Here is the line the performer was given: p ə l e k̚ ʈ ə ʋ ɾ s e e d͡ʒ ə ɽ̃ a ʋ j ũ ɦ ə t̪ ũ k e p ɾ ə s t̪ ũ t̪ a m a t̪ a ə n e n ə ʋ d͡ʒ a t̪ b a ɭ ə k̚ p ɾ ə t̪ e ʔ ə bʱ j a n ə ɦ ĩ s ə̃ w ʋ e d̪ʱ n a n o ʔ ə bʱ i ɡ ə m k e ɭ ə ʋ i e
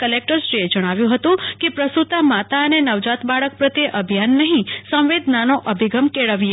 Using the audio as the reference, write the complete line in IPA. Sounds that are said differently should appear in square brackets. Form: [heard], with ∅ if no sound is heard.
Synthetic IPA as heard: [k] ə l e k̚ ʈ ə [∅] ɾ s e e d͡ʒ ə ɽ̃ a ʋ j ũ ɦ ə t̪ ũ k e p ɾ ə s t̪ [u] t̪ a m a t̪ a ə n e n ə ʋ d͡ʒ a t̪ b a ɭ ə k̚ p ɾ ə t̪ e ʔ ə bʱ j a [nː] ə ɦ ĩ s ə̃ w ʋ e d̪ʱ n a n o ʔ ə bʱ i ɡ ə m k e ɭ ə ʋ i e

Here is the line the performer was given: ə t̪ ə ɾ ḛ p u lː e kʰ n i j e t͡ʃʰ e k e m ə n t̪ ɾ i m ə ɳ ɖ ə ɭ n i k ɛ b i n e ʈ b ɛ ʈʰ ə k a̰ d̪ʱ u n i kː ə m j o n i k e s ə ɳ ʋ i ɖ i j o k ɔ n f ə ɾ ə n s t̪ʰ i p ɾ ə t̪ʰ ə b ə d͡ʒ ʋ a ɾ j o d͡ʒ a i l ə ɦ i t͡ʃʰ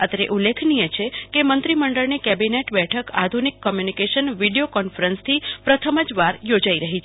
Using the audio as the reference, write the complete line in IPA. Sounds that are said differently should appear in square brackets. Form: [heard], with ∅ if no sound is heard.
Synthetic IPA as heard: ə t̪ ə ɾ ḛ [ʔ] u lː e kʰ n i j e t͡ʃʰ e k e m ə n t̪ ɾ i m ə ɳ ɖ ə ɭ n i k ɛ b i n e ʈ b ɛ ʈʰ ə k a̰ d̪ʱ u n i kː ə m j [u] n i k e [ʃ] ə [n] ʋ i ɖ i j o k ɔ n f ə ɾ ə n s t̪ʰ i p ɾ ə t̪ʰ ə [m] ə d͡ʒ ʋ a ɾ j o d͡ʒ a i [ɾ] ə ɦ i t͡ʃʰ

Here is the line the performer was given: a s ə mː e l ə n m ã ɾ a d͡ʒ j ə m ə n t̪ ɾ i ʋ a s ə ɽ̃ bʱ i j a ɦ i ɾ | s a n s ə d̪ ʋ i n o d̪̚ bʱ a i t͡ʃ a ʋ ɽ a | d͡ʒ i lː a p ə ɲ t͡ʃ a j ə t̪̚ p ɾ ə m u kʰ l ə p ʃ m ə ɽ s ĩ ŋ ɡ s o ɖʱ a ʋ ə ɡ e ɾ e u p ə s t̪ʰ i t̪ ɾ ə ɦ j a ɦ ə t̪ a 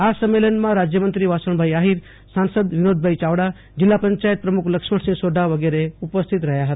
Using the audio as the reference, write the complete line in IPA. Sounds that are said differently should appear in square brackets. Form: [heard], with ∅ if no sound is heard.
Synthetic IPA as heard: a s ə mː e l ə n m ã ɾ a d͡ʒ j ə m ə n t̪ ɾ i ʋ a s ə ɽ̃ bʱ [a] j a ɦ i ɾ | s a n s ə d̪ ʋ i n o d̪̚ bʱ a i t͡ʃ a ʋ ɽ a | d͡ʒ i lː a p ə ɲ t͡ʃ a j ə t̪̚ p ɾ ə m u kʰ l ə [k] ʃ m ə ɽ s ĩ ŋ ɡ s o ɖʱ a ʋ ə ɡ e ɾ e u p ə s t̪ʰ i t̪ ɾ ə ɦ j a ɦ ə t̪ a

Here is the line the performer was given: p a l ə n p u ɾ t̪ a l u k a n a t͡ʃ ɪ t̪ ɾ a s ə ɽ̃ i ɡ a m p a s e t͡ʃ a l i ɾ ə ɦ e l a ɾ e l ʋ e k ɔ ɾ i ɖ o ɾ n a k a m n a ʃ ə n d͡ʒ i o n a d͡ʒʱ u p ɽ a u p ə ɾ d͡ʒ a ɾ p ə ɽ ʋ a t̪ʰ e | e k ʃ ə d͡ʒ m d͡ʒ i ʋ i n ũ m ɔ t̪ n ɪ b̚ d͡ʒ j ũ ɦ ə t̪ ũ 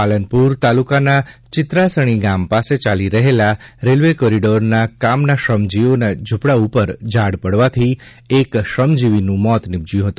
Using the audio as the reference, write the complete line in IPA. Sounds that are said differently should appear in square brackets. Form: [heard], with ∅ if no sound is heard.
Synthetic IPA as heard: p a l ə n p u ɾ t̪ a l u k a n a t͡ʃ ɪ t̪ ɾ a s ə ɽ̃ i ɡ a m p a s e t͡ʃ a l i ɾ ə ɦ e l a ɾ e l ʋ e k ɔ ɾ i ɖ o ɾ n a k a m n a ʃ ə [m] d͡ʒ i o n a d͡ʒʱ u p ɽ a u p ə ɾ d͡ʒ a [ɽ] p ə ɽ ʋ a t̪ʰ [i] | e k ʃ ə [∅] m d͡ʒ i ʋ i n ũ m ɔ t̪ n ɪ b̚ d͡ʒ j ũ ɦ ə t̪ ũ

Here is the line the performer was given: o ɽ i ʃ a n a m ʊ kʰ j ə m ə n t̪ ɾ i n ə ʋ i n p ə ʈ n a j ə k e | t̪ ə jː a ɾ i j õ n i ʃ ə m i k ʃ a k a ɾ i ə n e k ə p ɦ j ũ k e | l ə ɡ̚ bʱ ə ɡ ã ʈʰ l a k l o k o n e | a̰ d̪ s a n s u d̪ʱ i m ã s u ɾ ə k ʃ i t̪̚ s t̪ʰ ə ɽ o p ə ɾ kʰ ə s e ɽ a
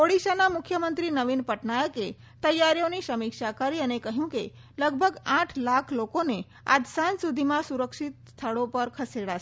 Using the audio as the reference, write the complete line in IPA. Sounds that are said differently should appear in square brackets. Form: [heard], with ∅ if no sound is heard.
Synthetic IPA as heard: o ɽ i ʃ a n a m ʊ kʰ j ə m ə n t̪ ɾ i n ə ʋ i n p ə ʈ n a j ə k e | t̪ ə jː a ɾ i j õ n i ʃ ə m i k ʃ a k a ɾ i ə n e k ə [∅] ɦ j ũ k e | l ə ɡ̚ bʱ ə ɡ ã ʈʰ l a [kʰ] l o k o n e | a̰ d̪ s a n s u d̪ʱ i m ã s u ɾ ə k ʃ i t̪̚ s t̪ʰ ə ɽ o p ə ɾ kʰ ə s e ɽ a

